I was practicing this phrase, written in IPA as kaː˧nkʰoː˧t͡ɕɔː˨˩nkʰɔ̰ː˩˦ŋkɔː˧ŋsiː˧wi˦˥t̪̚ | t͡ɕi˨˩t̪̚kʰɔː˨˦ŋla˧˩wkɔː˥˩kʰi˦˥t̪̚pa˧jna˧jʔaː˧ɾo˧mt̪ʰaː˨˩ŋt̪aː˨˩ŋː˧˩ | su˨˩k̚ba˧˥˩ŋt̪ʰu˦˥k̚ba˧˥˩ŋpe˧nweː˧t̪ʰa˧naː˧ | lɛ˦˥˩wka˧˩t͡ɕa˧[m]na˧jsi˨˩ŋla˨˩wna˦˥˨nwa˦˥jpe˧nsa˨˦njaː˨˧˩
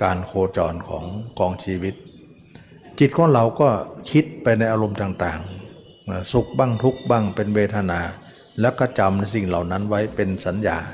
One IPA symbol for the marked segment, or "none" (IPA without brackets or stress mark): m